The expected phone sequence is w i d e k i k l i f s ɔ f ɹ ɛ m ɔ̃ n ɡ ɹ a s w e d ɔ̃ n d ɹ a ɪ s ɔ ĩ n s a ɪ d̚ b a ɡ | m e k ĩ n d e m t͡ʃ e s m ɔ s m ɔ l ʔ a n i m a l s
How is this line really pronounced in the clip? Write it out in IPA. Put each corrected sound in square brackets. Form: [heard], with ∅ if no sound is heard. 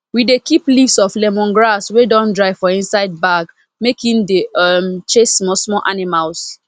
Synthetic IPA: w i d e k i [p] l i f s ɔ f [l] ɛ m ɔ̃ n ɡ ɹ a s w e d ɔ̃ n d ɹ a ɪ [f] ɔ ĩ n s a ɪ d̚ b a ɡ | m e k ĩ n d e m t͡ʃ e s m ɔ s m ɔ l ʔ a n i m a l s